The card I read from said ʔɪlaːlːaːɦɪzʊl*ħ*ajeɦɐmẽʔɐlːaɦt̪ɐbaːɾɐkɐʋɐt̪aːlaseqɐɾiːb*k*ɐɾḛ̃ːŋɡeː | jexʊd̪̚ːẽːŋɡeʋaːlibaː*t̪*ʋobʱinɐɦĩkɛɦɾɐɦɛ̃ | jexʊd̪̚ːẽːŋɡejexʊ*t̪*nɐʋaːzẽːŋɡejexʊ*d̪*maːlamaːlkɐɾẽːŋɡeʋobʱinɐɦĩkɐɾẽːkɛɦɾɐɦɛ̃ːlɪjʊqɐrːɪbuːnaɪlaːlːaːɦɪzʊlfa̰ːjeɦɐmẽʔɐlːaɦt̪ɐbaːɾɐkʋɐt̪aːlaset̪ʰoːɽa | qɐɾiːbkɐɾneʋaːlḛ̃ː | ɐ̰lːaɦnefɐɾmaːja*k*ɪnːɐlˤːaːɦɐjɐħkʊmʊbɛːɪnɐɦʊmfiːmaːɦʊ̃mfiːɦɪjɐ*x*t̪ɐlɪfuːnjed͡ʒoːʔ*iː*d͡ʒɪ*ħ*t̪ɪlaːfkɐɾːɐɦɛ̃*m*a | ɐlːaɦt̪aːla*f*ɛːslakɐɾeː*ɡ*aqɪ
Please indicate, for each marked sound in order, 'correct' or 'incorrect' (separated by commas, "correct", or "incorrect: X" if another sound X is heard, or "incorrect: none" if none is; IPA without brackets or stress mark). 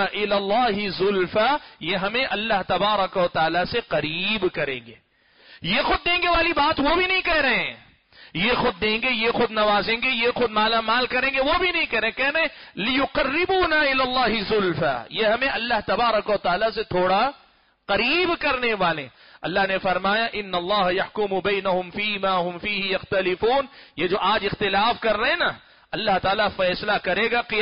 incorrect: f, correct, correct, incorrect: d̪, correct, incorrect: ʔ, correct, incorrect: aː, incorrect: x, incorrect: n, correct, correct